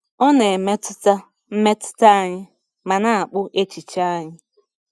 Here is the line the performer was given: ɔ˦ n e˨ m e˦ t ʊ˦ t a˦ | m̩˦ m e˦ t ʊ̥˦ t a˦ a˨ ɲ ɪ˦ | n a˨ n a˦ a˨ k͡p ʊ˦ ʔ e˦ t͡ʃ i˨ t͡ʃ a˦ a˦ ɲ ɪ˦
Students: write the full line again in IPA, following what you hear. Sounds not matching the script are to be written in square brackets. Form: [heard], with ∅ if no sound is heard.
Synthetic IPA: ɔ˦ n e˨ m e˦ t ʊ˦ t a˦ | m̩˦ m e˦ t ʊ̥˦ t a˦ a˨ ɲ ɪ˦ | [m] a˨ n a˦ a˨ k͡p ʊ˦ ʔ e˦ t͡ʃ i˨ t͡ʃ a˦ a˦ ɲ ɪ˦